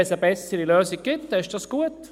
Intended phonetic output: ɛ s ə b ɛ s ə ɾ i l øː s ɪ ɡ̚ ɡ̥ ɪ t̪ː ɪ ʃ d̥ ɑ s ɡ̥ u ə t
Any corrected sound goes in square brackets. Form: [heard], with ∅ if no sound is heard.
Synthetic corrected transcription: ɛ s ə b ɛ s ə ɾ i l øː s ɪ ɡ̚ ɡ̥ ɪ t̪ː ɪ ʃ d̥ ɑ s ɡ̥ u ə t